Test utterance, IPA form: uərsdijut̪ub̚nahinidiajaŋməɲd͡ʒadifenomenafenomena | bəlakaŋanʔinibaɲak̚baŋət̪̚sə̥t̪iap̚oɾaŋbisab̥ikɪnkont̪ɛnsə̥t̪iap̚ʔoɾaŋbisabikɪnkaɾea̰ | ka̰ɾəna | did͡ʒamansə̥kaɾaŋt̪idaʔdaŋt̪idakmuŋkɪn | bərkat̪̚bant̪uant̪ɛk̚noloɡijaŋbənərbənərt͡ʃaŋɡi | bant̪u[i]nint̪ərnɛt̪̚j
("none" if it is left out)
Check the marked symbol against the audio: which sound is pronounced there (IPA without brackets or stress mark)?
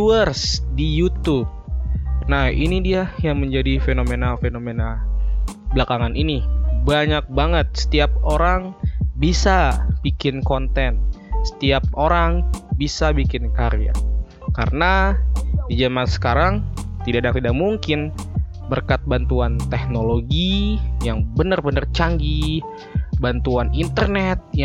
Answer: a